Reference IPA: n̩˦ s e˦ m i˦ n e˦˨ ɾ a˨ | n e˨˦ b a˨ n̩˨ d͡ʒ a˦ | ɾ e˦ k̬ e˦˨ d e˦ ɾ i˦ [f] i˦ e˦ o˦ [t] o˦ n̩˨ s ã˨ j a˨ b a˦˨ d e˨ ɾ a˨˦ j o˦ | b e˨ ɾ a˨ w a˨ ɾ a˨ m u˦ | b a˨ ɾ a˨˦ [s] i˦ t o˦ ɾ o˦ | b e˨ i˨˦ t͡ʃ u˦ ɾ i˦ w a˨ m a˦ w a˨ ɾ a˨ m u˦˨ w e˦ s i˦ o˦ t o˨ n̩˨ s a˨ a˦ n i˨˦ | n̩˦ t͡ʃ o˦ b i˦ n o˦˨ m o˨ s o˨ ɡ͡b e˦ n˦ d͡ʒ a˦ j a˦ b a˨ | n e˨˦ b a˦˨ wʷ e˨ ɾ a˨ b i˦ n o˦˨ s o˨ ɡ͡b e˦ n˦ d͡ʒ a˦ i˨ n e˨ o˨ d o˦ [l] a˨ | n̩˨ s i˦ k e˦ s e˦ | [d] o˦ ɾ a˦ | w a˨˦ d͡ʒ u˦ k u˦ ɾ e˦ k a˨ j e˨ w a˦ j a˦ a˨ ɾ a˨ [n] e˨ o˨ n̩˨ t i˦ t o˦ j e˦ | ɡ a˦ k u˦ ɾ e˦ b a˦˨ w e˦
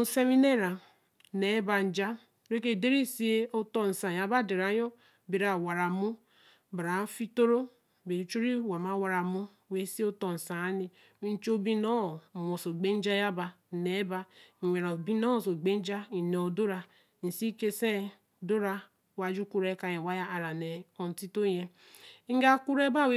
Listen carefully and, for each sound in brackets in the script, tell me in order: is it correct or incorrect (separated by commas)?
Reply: incorrect, correct, incorrect, incorrect, correct, correct